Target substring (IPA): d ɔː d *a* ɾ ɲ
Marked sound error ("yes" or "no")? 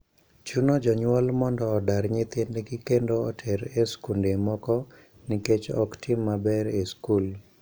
no